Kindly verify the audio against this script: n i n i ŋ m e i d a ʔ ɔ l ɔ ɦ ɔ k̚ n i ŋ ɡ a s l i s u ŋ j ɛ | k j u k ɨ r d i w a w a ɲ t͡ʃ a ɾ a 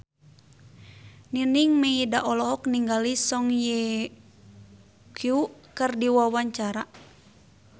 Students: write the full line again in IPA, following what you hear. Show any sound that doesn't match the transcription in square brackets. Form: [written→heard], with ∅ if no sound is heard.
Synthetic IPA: n i n i ŋ m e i d a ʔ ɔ l ɔ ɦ ɔ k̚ n i ŋ ɡ a [s→∅] l i s [u→ɔ] ŋ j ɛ | k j u k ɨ r d i w a w a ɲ t͡ʃ a ɾ a